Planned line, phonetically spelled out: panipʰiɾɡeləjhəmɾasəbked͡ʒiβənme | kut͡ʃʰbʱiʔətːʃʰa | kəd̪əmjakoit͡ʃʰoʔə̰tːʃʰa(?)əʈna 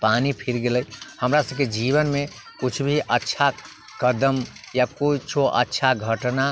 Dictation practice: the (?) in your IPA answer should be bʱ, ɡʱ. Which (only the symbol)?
ɡʱ